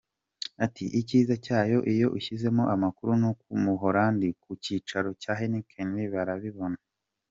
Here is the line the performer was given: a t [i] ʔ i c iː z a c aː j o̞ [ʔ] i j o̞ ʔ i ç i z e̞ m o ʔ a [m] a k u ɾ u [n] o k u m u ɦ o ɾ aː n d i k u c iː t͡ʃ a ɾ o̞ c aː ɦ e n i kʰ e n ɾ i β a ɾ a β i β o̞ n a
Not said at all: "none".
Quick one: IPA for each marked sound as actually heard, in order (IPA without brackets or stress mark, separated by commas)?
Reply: i, ʔ, m, n